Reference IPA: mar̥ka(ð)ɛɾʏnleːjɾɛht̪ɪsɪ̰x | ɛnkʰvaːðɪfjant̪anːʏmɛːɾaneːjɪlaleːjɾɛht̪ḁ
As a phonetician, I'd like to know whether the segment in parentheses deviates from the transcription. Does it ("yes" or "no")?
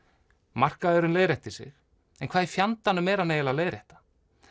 no